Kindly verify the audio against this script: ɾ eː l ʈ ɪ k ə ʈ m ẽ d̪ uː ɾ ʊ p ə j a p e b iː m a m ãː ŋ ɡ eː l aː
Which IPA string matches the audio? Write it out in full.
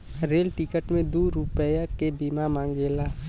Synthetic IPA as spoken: ɾ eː l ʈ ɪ k ə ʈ m ẽ d̪ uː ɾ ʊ p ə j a k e b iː m a m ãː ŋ ɡ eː l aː